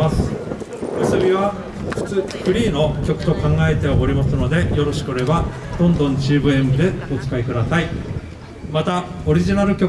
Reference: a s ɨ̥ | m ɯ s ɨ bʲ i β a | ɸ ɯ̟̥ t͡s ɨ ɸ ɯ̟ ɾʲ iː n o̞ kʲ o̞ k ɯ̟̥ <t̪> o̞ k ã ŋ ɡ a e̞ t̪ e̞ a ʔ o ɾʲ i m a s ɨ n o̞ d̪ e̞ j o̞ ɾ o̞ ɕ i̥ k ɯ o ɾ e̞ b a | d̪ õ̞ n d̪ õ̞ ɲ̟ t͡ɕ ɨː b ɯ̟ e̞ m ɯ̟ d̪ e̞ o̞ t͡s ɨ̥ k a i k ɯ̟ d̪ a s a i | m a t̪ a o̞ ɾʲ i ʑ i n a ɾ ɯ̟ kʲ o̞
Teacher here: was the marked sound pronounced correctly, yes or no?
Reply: yes